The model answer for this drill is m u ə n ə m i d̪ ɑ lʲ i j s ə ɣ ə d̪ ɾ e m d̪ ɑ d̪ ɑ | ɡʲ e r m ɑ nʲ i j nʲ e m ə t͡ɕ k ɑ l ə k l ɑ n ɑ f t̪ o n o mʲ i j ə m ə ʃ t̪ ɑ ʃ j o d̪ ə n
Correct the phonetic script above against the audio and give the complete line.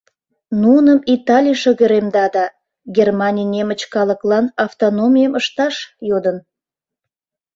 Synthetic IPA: n u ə n ə m i t̪ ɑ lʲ i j ʃ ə ɣ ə ɾ e m d̪ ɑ d̪ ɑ | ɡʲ e r m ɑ nʲ i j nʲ e m ə t͡ɕ k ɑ l ə k l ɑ n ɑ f t̪ o n o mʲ i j ə m ə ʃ t̪ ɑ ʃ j o d̪ ə n